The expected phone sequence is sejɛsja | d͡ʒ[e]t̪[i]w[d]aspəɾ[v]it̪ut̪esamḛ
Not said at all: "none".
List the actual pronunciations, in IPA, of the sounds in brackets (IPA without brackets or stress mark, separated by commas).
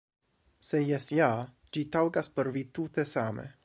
i, a, ɡ, v